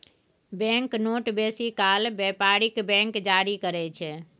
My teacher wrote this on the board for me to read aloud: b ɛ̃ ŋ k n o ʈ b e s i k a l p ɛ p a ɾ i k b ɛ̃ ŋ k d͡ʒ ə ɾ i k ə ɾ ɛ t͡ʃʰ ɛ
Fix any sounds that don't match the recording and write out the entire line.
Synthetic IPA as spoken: b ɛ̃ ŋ k n o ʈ b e s i k a l b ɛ p a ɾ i k b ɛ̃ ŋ k d͡ʒ a ɾ i k ə ɾ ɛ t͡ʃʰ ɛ